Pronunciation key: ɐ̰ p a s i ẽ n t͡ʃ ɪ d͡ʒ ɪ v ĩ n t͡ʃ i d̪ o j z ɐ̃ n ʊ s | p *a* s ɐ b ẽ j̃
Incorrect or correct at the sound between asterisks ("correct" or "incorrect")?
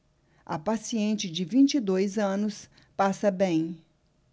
correct